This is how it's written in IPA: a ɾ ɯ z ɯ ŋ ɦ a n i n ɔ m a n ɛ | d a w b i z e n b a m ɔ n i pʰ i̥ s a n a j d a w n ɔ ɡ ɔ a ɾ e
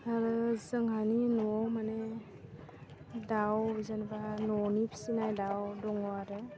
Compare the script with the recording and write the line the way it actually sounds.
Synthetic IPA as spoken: a ɾ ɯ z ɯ ŋ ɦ a n i n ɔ m a n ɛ | d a w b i z a n b a n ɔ n i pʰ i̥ s i n a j d a w d ɔ ŋ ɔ a ɾ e